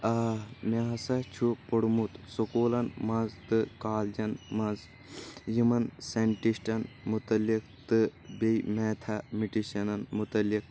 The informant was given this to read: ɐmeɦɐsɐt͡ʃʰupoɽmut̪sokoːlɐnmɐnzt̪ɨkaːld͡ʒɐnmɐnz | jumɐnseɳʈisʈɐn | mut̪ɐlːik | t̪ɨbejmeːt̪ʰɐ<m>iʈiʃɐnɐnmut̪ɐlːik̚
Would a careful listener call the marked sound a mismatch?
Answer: no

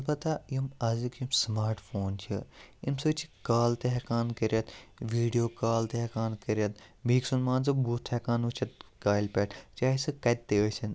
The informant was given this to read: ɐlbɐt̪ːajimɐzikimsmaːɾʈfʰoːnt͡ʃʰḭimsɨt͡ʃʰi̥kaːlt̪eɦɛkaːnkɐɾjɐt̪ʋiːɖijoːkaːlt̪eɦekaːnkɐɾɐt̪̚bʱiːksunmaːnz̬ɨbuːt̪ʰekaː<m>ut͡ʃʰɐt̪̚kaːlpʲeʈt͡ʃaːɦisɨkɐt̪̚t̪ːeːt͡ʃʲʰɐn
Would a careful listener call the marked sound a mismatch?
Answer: yes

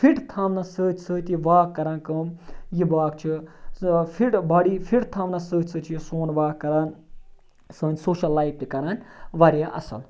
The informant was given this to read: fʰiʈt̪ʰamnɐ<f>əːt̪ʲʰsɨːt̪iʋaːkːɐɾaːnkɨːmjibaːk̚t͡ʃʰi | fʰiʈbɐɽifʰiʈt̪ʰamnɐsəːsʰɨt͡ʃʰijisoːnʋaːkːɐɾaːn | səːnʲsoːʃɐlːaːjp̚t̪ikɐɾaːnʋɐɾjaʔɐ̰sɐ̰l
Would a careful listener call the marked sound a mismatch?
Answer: yes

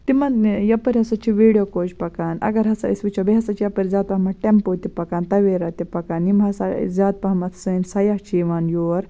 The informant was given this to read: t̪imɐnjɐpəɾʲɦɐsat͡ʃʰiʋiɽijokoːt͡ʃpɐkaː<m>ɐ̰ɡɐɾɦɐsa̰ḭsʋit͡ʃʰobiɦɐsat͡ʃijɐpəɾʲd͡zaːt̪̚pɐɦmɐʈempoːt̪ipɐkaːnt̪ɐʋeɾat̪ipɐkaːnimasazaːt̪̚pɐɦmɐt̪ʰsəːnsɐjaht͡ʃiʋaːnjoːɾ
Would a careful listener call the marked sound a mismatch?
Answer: yes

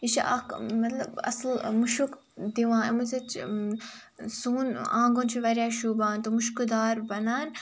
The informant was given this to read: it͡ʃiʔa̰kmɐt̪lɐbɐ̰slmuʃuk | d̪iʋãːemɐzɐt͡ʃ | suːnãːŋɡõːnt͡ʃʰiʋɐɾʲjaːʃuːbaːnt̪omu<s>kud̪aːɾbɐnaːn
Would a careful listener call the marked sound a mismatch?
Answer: yes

